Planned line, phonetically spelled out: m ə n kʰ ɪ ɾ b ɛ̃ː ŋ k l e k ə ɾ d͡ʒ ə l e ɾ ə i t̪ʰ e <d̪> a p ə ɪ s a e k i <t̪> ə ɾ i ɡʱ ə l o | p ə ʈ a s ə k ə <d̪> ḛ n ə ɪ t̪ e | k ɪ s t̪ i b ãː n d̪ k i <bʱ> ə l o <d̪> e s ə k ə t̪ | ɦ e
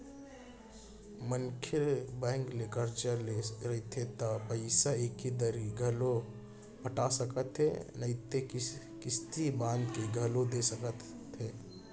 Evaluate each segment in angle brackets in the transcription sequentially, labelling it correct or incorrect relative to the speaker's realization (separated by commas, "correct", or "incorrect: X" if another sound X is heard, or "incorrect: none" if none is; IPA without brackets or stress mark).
incorrect: t̪, incorrect: d̪, incorrect: t̪, incorrect: ɡʱ, correct